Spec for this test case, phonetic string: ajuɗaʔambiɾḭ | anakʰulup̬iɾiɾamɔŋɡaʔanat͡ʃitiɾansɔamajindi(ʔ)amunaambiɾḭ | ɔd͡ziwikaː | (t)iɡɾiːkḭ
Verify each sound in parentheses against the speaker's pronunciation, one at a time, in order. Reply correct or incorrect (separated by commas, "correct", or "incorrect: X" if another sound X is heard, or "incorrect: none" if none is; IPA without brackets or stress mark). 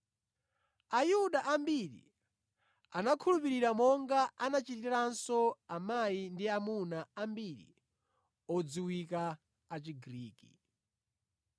incorrect: none, incorrect: t͡ʃ